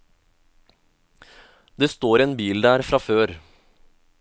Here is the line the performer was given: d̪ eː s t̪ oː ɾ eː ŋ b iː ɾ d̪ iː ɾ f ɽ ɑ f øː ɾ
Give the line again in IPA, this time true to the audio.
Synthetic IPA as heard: d̪ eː s t̪ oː ɾ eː n b iː l d̪ æː ɾ f ɾ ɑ f øː ɾ